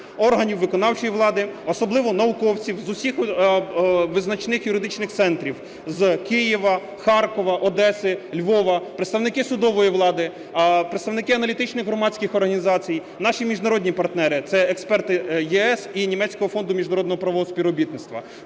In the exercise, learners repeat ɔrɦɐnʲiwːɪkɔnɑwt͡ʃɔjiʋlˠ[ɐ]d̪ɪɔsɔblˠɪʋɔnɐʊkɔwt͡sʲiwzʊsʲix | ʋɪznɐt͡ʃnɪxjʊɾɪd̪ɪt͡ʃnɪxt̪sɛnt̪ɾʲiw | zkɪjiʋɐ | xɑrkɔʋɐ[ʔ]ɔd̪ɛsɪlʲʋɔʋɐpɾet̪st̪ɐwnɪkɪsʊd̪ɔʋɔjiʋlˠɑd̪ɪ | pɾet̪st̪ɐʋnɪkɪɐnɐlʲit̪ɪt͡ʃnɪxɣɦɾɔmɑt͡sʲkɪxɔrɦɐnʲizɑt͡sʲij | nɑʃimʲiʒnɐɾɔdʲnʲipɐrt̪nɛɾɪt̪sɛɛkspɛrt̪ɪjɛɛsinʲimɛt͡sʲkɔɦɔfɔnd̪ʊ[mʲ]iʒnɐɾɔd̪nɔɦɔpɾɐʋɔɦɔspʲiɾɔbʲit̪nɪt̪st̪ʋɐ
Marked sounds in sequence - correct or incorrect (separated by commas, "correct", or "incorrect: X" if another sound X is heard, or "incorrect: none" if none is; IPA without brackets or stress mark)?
incorrect: ɑ, correct, correct